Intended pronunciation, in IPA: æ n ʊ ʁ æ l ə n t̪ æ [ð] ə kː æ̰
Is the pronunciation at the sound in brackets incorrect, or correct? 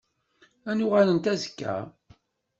incorrect